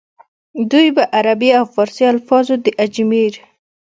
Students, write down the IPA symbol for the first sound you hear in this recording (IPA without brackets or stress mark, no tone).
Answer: d̪